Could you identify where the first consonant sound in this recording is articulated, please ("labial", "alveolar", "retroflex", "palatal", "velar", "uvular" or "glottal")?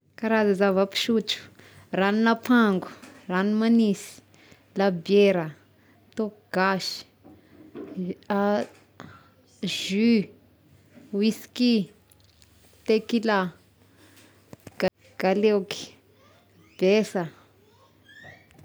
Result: velar